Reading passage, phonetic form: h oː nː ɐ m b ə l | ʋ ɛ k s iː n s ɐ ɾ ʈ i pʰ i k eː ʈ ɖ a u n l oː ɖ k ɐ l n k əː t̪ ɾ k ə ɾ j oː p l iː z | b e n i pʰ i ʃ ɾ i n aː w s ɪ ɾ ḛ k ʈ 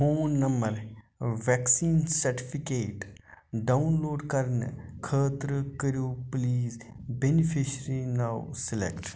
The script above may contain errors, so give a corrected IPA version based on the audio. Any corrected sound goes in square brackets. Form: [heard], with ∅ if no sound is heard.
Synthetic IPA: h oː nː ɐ m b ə [ɾ] | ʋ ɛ k s iː n s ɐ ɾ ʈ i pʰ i k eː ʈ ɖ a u n l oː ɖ k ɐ [ɾ] n [kʰ] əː t̪ ɾ k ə ɾ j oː p l iː z | b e n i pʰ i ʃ ɾ i n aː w s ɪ [l] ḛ k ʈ